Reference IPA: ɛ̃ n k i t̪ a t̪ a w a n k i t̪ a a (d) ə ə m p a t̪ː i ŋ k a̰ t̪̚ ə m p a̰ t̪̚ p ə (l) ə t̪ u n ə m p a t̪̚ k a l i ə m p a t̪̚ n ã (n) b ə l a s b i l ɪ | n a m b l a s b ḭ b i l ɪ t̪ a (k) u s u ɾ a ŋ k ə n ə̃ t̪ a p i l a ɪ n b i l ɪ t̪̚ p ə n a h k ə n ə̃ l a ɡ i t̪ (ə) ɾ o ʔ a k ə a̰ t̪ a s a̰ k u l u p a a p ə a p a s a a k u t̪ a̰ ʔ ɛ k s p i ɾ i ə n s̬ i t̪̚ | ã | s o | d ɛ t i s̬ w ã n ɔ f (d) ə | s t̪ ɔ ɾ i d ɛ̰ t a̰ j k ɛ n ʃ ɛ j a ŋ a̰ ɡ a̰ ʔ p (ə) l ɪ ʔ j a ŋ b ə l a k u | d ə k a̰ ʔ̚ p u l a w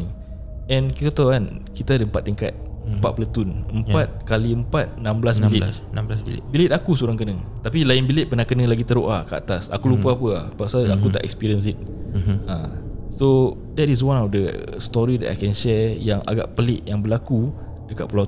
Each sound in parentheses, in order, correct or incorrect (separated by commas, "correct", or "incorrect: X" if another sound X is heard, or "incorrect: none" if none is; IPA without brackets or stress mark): correct, correct, incorrect: m, correct, correct, correct, correct